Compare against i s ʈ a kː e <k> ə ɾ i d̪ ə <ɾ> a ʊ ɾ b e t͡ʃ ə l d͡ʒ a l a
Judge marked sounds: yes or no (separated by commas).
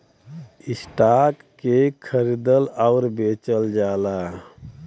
no, no